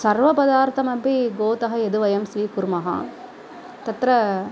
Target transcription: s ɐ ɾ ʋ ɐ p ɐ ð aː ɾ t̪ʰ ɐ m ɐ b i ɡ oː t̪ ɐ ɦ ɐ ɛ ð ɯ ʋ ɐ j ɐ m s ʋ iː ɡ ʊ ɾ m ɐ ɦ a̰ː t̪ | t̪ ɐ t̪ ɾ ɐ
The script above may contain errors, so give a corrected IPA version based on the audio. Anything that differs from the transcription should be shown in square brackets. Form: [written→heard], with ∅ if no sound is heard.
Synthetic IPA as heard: s ɐ ɾ ʋ ɐ p ɐ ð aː ɾ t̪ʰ ɐ m ɐ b i ɡ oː t̪ ɐ ɦ ɐ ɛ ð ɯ ʋ ɐ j ɐ m s ʋ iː [ɡ→k] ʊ ɾ m ɐ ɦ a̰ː [t̪→∅] | t̪ ɐ t̪ ɾ ɐ